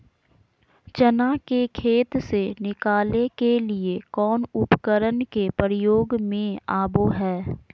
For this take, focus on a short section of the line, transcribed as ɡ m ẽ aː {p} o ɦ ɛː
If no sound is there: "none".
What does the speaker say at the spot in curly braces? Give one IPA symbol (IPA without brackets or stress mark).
b